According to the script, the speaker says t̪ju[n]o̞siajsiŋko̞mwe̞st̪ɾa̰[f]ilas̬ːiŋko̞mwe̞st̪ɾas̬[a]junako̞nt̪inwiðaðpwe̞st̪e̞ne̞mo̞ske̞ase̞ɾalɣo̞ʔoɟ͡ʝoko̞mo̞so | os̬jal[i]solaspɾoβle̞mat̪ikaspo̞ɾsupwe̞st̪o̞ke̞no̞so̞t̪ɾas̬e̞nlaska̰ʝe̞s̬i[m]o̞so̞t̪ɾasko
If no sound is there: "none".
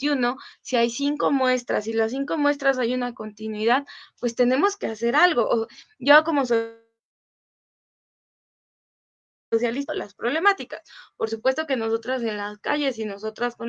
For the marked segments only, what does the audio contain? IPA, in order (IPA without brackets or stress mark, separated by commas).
n, s, a, i, n